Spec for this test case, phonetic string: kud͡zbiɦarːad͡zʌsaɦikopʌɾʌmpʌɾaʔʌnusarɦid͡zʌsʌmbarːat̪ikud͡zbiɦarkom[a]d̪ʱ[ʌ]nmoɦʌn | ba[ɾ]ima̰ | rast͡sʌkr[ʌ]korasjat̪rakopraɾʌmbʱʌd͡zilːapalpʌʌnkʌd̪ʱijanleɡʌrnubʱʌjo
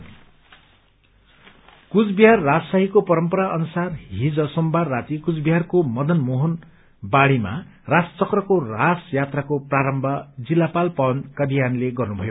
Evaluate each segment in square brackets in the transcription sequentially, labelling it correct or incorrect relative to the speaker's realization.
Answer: incorrect: ʌ, correct, incorrect: ɽ, correct

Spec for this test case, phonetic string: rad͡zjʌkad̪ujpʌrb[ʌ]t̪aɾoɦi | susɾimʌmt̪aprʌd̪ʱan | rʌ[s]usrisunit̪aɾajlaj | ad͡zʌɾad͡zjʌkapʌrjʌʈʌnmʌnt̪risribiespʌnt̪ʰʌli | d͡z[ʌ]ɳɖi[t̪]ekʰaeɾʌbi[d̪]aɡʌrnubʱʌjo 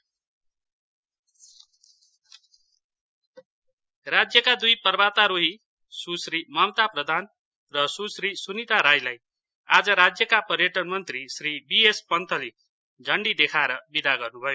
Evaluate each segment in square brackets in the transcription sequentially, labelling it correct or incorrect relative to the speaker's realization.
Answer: incorrect: a, correct, correct, incorrect: d̪, correct

